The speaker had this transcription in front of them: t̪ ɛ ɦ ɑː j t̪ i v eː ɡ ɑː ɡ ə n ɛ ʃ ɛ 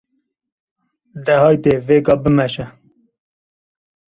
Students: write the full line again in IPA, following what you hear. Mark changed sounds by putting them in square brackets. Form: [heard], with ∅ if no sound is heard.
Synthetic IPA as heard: [d̪] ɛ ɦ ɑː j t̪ [e] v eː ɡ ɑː [b] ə [m] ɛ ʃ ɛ